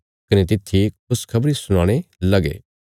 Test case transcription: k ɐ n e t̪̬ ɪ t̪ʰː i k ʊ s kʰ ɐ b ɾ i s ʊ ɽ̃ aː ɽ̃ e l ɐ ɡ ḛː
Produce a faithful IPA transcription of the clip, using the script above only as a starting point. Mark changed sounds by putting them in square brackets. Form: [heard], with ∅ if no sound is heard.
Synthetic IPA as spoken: k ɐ n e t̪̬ ɪ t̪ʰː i k ʊ s kʰ ɐ b ɾ i s ʊ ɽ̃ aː ɽ̃ e l ɐ ɡ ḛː